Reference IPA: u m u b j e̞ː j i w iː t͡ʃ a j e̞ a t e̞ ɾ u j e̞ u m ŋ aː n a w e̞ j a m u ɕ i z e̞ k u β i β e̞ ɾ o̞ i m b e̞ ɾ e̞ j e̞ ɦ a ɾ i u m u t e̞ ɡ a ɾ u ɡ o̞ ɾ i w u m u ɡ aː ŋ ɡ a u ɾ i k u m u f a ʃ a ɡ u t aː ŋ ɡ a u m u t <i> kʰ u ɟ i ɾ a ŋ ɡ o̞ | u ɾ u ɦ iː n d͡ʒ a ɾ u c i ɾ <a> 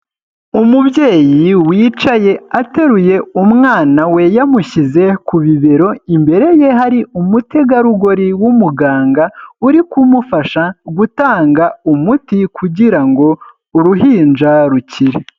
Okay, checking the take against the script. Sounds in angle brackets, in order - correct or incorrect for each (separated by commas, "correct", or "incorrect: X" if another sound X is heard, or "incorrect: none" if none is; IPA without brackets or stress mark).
correct, incorrect: e